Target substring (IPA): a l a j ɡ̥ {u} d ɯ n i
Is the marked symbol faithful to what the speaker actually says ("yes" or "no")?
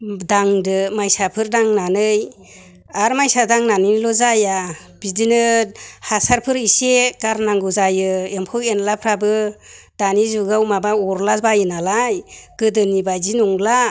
no